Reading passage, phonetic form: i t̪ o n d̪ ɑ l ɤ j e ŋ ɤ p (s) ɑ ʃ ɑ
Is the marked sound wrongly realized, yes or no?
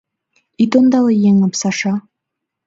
no